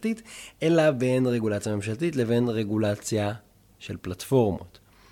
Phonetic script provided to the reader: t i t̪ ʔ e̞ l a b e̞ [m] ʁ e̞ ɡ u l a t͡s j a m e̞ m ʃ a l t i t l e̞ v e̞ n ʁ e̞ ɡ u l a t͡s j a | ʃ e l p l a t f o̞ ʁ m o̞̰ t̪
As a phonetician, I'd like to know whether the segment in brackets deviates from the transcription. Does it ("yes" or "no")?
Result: yes